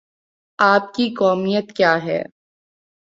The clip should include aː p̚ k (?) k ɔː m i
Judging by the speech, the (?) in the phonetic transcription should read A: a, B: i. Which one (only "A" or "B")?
B